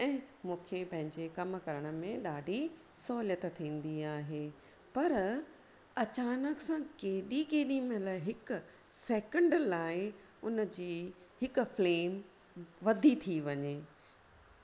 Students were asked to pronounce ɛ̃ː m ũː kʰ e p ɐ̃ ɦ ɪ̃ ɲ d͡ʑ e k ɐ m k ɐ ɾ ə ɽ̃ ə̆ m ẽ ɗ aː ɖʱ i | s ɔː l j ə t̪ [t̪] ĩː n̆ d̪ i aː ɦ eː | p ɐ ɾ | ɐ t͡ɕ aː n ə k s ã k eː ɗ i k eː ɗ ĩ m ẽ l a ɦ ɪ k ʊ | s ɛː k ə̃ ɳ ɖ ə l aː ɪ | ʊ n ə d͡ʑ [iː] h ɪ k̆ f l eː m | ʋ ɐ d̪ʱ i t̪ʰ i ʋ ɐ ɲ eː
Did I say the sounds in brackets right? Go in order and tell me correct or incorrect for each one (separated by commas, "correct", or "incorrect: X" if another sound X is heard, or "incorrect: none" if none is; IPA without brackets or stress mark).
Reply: incorrect: t̪ʰ, correct